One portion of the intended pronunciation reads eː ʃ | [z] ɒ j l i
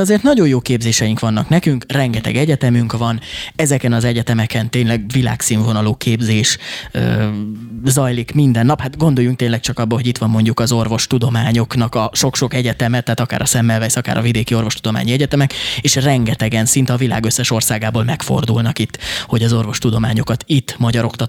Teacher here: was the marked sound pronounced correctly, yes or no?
yes